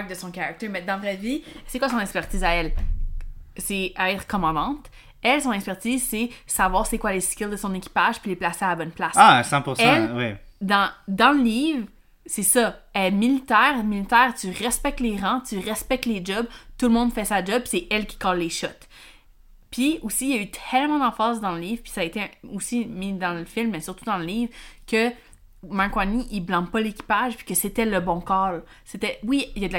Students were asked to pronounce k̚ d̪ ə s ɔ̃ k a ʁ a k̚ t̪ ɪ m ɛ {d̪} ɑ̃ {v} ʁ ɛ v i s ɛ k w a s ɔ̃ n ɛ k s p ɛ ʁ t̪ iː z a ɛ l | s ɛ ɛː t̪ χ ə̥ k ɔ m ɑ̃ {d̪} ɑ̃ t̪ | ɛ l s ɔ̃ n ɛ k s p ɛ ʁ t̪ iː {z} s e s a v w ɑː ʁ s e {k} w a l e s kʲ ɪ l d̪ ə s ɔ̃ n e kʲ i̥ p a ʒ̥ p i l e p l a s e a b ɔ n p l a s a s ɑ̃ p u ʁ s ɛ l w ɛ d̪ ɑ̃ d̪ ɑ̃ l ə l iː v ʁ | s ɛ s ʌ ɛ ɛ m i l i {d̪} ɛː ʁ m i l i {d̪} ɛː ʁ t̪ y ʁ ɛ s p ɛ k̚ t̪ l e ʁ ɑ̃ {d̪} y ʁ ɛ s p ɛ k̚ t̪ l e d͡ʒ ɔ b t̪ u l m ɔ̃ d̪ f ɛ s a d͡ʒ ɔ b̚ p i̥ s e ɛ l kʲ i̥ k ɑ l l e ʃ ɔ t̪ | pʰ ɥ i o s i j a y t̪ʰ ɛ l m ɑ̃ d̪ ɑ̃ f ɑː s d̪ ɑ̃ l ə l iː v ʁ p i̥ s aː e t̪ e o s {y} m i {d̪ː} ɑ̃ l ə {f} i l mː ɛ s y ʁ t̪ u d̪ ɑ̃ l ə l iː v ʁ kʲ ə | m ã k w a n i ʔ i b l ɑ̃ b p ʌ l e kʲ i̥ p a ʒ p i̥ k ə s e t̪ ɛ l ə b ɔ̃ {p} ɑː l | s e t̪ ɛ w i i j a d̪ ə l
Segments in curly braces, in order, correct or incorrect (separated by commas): correct, correct, correct, correct, correct, incorrect, incorrect, incorrect, incorrect, incorrect, correct, incorrect